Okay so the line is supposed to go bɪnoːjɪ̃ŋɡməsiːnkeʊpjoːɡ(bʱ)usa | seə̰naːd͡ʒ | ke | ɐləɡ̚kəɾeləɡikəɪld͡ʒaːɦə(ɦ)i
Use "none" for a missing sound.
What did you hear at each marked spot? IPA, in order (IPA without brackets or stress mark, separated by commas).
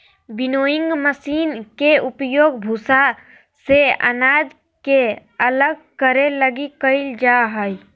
bʱ, none